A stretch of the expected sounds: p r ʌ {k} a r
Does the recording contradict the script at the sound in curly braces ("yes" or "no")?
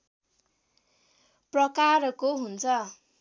no